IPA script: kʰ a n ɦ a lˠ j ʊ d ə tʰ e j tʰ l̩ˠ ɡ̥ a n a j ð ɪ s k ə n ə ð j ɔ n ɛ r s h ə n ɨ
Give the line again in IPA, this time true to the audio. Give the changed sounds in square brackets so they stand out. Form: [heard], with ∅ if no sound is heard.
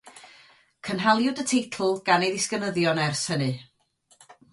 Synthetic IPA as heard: kʰ [ə] n ɦ a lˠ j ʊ d ə tʰ e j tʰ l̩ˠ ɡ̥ a n [e] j ð ɪ s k ə n ə ð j ɔ n ɛ r s h ə n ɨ